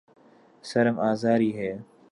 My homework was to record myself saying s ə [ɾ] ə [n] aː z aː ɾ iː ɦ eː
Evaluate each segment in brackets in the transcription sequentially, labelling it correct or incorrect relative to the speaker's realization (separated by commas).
correct, incorrect